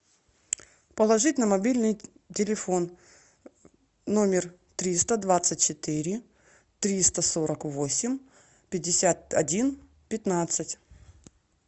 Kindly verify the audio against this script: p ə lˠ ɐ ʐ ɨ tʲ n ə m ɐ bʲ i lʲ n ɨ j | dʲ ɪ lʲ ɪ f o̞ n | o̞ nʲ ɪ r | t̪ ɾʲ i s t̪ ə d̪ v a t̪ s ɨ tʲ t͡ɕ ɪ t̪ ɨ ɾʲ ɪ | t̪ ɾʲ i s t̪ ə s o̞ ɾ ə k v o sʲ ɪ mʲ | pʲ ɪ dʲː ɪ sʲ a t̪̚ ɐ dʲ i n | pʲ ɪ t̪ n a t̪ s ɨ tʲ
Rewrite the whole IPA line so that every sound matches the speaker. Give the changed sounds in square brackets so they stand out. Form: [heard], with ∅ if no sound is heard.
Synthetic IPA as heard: p ə lˠ ɐ ʐ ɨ tʲ n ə m ɐ bʲ i lʲ n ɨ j | [tʲ] ɪ lʲ ɪ f o̞ n | o̞ [mʲ] ɪ r | t̪ ɾʲ i s t̪ ə d̪ v a t̪ s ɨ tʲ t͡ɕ ɪ t̪ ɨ ɾʲ ɪ | t̪ ɾʲ i s t̪ ə s o̞ ɾ ə k v o sʲ ɪ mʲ | pʲ ɪ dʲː ɪ sʲ a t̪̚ ɐ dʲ i n | pʲ ɪ t̪ n a t̪ s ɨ tʲ